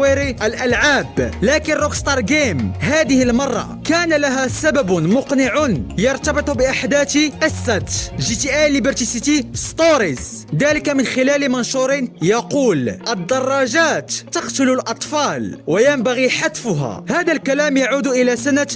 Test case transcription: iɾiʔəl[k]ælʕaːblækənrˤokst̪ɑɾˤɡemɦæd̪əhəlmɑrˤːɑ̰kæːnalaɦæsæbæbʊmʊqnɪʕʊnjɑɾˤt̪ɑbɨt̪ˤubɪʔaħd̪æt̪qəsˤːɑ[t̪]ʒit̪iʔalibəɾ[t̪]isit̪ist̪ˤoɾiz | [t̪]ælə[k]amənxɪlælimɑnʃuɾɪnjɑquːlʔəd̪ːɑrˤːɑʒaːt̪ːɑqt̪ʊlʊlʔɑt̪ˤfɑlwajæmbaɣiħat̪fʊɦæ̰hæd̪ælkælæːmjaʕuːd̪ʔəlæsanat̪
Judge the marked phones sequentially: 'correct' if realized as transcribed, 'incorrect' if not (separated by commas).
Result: incorrect, correct, correct, incorrect, correct